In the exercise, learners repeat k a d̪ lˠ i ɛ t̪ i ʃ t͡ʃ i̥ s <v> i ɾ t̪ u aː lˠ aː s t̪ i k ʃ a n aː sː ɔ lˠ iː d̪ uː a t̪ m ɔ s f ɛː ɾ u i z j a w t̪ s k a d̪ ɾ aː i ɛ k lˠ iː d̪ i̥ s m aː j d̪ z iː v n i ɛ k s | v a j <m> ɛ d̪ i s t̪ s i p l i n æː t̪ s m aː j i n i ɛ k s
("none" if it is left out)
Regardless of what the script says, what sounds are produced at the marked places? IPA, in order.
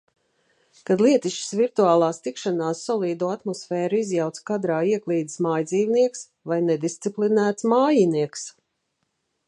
v, n

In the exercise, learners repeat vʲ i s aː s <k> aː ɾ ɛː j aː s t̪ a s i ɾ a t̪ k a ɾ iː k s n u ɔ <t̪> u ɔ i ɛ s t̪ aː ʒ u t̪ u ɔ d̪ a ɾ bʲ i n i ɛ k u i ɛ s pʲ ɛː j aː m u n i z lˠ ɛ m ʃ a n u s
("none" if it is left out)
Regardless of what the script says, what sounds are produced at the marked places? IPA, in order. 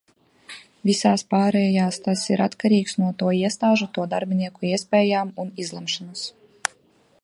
p, t̪

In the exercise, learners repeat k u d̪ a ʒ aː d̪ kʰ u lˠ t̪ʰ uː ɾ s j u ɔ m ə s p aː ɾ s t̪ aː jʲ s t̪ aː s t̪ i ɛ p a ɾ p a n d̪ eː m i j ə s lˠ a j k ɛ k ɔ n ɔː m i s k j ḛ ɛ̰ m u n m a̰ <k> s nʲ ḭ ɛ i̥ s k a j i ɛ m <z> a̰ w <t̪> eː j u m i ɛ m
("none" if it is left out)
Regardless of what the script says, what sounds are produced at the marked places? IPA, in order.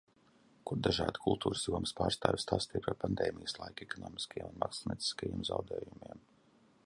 k, z, d̪

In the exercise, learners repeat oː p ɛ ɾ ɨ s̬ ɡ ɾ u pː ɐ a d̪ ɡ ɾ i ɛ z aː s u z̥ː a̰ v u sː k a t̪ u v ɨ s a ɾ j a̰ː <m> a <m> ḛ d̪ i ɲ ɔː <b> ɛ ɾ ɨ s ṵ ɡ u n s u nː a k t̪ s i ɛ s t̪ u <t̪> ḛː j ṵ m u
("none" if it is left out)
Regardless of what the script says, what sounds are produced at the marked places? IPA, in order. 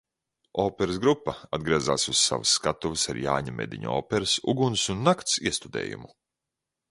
ɲ, m, p, d̪

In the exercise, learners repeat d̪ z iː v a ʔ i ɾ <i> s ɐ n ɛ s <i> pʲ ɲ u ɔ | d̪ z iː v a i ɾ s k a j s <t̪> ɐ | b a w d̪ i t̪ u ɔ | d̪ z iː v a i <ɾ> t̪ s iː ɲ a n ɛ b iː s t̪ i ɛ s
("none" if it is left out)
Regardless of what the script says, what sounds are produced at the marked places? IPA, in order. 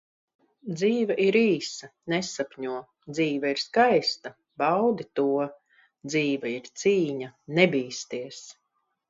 iː, a, t̪, ɾ

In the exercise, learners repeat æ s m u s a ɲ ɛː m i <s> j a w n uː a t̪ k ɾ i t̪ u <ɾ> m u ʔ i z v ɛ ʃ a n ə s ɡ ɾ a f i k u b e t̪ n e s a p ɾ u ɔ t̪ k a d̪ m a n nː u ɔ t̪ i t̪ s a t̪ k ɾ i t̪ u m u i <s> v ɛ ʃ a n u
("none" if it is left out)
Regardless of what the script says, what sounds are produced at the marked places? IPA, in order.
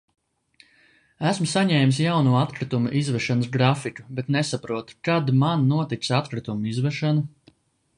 s, none, z

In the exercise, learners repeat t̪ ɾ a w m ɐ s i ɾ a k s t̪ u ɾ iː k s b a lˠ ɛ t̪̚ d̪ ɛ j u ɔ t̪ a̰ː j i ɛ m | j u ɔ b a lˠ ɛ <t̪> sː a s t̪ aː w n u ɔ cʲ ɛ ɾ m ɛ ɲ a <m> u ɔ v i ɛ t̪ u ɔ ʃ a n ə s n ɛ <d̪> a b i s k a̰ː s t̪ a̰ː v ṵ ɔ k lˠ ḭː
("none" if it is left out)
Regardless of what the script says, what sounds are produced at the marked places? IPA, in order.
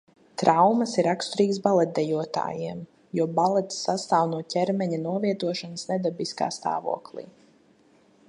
t̪, n, d̪

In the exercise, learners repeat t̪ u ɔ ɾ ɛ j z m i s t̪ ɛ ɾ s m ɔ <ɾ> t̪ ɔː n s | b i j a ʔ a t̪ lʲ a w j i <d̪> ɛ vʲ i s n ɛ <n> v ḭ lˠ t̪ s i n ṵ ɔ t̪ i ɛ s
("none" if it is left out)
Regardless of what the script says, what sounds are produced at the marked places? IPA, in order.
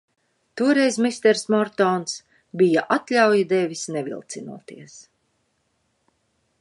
ɾ, d̪, none

